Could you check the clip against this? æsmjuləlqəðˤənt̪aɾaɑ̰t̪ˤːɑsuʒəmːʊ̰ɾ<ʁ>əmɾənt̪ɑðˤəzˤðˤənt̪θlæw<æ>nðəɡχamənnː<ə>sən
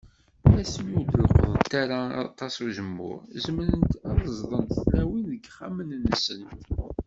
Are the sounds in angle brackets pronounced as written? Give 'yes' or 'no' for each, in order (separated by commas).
no, no, yes